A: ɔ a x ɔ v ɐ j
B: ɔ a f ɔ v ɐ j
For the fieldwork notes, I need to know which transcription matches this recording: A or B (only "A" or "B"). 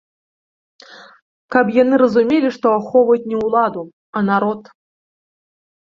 A